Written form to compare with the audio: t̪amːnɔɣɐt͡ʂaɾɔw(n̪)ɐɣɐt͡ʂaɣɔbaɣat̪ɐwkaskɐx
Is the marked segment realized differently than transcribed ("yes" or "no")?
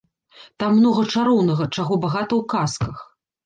no